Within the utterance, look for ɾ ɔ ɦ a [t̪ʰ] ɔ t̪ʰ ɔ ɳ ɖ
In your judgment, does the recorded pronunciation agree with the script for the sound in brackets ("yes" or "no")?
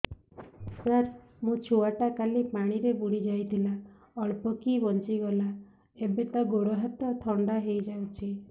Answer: no